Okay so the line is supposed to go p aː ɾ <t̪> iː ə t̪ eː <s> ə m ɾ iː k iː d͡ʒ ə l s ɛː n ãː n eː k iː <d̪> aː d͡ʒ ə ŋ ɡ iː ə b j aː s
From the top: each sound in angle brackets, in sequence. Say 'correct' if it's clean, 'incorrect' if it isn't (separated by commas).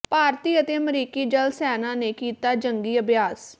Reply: correct, incorrect, incorrect